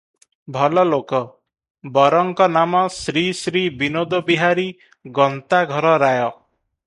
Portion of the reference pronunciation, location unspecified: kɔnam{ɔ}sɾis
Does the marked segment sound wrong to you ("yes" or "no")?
no